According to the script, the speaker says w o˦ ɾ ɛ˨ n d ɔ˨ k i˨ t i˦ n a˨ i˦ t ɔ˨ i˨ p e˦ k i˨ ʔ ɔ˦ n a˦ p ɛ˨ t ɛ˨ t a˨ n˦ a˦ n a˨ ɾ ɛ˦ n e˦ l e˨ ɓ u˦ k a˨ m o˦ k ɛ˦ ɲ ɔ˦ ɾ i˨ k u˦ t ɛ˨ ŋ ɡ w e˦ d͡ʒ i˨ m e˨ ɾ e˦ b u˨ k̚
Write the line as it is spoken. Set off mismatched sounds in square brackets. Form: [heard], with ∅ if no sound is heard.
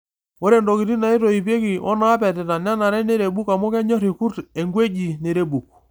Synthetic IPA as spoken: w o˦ ɾ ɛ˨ n d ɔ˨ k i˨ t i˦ n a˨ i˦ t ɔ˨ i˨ p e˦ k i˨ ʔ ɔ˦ n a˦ p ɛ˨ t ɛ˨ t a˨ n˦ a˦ n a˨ ɾ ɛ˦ n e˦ [ɾ] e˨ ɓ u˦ k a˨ m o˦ k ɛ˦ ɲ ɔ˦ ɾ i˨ k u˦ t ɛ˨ ŋ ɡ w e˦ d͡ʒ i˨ [n] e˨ ɾ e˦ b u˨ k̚